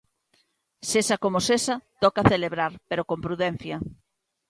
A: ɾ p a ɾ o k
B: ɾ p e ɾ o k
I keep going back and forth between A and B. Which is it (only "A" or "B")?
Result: B